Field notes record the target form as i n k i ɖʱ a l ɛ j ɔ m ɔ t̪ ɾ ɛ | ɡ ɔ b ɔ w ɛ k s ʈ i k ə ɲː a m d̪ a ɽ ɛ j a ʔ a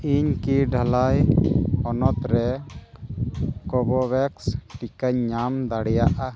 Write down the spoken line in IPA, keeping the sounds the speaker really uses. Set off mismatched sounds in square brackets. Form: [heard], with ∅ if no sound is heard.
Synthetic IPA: i [ɲ] k i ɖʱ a l [a] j ɔ [n] ɔ t̪ ɾ ɛ | [k] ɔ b ɔ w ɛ k s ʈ i k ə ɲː a m d̪ a ɽ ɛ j a ʔ a